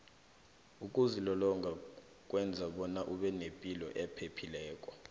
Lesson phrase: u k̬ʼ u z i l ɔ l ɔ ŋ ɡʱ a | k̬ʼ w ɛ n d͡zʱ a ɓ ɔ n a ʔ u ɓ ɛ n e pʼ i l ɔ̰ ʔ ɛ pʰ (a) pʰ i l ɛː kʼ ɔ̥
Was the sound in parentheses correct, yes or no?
no